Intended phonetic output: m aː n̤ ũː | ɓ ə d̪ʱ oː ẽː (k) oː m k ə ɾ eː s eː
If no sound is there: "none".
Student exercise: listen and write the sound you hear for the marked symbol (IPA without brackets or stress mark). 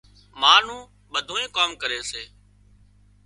k